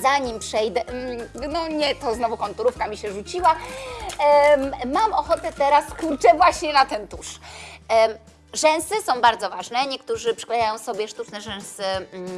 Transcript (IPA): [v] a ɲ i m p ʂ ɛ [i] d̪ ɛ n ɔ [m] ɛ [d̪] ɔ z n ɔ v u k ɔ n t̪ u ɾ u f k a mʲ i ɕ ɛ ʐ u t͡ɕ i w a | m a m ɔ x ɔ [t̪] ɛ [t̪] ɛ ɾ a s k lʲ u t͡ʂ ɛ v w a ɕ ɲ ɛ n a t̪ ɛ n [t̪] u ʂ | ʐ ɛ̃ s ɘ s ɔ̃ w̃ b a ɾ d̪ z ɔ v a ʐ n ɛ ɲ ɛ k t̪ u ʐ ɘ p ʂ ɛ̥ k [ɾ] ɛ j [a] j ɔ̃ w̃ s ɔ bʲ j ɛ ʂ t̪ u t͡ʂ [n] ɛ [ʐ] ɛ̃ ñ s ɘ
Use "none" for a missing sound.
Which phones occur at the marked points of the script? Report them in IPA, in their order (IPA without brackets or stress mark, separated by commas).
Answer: z, j, ɲ, t̪, t̪, t̪, t̪, l, a, n, ʐ